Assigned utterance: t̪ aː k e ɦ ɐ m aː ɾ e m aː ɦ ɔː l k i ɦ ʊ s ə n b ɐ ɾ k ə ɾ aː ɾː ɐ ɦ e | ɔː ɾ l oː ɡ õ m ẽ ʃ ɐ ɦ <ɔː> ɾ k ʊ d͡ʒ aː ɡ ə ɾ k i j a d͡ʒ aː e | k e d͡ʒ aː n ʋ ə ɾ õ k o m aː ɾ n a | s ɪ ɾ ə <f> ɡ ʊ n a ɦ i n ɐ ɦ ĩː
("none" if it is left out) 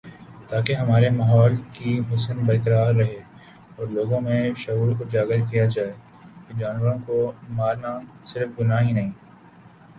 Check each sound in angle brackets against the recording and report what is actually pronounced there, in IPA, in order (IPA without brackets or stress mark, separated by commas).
uː, f